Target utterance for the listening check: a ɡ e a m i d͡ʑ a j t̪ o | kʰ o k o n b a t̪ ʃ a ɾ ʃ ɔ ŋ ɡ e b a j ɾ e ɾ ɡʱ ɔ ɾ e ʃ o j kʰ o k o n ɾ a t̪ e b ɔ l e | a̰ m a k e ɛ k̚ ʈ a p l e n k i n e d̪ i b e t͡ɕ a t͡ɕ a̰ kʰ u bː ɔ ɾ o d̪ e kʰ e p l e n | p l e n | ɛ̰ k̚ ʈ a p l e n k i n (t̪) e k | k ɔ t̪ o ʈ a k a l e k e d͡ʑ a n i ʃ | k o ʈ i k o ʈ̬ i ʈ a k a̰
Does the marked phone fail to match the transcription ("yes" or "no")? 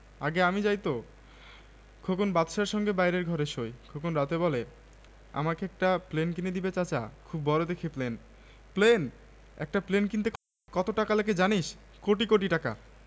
no